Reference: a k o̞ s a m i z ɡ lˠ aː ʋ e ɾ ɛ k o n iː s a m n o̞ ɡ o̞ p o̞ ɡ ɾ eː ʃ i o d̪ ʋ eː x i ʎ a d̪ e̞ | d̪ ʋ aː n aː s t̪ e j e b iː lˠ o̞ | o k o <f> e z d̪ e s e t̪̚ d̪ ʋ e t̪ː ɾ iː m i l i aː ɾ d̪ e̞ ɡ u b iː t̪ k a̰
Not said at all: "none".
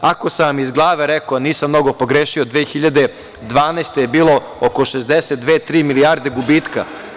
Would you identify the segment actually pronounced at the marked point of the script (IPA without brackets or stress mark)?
ʃ